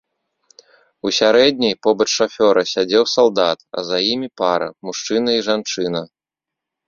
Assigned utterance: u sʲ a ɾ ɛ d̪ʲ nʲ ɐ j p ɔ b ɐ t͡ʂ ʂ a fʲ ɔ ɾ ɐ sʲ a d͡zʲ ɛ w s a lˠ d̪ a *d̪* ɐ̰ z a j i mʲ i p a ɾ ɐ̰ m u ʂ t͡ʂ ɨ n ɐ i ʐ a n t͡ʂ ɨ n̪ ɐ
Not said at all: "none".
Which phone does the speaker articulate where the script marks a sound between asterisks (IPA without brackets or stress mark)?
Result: t̪